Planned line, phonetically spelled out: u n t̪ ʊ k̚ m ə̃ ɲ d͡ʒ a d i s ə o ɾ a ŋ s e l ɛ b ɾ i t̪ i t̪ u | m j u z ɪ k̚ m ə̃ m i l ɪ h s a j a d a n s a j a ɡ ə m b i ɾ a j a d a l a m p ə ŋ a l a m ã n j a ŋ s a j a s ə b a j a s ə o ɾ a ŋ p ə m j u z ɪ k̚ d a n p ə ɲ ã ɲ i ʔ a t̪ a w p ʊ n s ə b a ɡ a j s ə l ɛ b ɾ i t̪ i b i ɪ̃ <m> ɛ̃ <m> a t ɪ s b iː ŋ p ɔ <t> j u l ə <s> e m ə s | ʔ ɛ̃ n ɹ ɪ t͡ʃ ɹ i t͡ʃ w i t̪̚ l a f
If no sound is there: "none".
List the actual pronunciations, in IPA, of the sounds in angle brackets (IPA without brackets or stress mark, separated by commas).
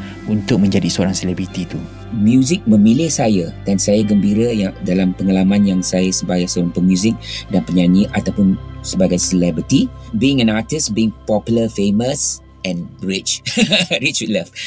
ŋ, n, p, f